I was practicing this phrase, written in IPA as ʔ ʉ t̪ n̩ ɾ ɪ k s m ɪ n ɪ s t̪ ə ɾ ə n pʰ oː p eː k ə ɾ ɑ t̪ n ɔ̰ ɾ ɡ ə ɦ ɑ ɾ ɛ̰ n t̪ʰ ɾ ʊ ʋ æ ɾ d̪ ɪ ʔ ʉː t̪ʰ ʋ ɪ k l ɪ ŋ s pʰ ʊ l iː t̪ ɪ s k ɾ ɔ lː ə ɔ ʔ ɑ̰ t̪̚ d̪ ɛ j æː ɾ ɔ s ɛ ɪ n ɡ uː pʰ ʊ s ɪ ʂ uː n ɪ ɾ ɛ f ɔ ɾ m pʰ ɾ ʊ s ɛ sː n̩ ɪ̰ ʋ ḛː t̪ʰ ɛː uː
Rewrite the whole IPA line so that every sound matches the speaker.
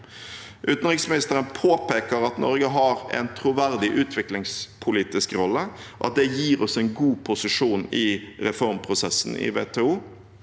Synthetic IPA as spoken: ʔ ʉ t̪ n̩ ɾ ɪ k s m ɪ n ɪ s t̪ ə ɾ ə n pʰ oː p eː k ə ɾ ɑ t̪ n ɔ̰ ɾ ɡ ə ɦ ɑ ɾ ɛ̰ n t̪ʰ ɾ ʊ ʋ æ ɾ d̪ ɪ ʔ ʉː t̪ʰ ʋ ɪ k l ɪ ŋ s pʰ ʊ l iː t̪ ɪ s k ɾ ɔ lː ə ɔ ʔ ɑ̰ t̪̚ d̪ ɛ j iː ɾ ɔ s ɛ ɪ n ɡ uː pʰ ʊ s ɪ ʂ uː n ɪ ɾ ɛ f ɔ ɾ m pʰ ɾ ʊ s ɛ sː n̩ ɪ̰ ʋ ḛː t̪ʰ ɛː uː